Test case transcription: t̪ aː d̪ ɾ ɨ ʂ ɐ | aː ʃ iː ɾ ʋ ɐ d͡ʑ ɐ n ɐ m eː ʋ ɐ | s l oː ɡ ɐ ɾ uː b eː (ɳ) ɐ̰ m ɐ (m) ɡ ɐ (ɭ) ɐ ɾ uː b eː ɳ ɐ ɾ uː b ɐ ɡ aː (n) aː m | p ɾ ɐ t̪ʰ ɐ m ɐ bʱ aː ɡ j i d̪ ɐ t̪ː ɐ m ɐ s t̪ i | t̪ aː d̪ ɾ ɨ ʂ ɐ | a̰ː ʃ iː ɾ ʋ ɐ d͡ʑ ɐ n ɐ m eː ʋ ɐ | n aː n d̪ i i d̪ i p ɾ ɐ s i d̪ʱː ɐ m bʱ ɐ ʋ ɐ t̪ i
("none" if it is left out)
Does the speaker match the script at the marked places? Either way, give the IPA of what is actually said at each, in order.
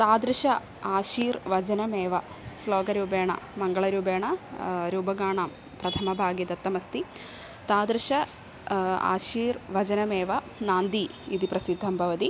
ɳ, ŋ, ɭ, ɳ

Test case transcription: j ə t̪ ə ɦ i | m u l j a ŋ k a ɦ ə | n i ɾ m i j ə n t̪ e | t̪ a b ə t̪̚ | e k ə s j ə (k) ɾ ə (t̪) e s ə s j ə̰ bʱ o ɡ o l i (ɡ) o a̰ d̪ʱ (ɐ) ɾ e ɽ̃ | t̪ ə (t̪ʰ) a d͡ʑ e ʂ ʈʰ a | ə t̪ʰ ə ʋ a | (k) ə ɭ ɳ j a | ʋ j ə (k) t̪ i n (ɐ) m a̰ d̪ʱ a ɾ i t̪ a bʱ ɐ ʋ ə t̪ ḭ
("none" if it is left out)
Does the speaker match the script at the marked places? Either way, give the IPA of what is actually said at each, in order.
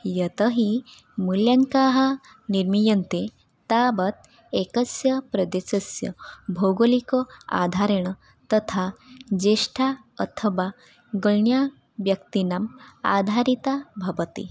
p, d̪, k, a, t̪ʰ, ɡ, k, a

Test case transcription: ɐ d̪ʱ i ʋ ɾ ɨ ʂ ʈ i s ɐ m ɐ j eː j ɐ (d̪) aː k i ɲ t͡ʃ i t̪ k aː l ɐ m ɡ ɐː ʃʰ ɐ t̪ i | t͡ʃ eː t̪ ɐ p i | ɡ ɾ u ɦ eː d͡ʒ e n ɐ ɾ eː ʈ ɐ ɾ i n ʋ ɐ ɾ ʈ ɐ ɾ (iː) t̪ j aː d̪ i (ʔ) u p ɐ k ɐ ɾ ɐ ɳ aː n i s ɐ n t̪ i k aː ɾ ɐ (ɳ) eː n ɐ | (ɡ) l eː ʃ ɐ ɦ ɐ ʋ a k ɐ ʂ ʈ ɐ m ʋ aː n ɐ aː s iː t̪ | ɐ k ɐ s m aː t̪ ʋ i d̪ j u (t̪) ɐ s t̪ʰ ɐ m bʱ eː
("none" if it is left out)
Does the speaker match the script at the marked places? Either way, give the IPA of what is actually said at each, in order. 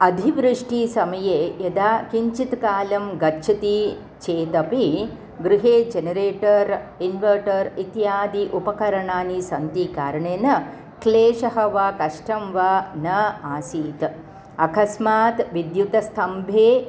d̪, i, ʔ, ɳ, k, t̪

